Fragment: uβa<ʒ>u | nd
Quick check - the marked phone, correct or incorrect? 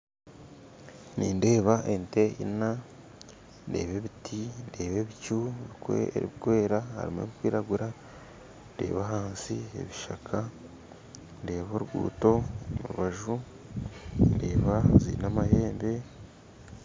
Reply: correct